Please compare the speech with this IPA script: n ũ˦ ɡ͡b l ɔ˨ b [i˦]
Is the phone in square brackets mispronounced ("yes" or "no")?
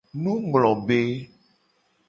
yes